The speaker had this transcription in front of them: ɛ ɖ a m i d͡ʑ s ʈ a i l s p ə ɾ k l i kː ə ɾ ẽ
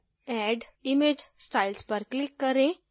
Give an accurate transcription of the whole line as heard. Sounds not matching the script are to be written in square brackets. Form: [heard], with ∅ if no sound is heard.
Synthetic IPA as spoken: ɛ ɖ [i] m [e] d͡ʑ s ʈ a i l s p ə ɾ k l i kː ə ɾ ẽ